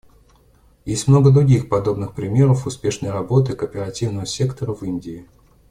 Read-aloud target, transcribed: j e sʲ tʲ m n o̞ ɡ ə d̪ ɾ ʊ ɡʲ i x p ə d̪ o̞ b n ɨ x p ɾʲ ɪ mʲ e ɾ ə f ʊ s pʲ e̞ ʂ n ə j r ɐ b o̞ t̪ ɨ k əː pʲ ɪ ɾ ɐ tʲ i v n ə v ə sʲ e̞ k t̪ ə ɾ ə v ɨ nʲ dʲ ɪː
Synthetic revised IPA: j e sʲ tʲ m n o̞ ɡ ə d̪ ɾ ʊ ɡʲ i x p ɐ d̪ o̞ b n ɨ x p ɾʲ ɪ mʲ e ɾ ə f ʊ s pʲ e̞ ʂ n ə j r ɐ b o̞ t̪ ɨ k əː pʲ ɪ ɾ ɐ tʲ i v n ə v ə sʲ e̞ k t̪ ə ɾ ə v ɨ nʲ dʲ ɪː